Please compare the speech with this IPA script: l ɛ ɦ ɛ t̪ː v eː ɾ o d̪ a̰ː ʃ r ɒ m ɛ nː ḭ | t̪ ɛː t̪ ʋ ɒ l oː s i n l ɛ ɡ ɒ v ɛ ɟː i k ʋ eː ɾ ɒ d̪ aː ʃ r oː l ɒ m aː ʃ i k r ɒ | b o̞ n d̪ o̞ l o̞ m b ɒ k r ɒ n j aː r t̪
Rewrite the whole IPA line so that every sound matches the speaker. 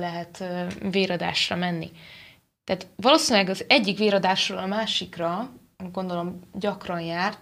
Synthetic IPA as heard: l ɛ ɦ ɛ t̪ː v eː ɾ ɒ d̪ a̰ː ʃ r ɒ m ɛ nː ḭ | t̪ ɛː t̪ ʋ ɒ l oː s i n l ɛ ɡ ɒ z ɛ ɟː i k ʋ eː ɾ ɒ d̪ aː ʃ r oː l ɒ m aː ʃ i k r ɒ | ɡ o̞ n d̪ o̞ l o̞ m ɟ ɒ k r ɒ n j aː r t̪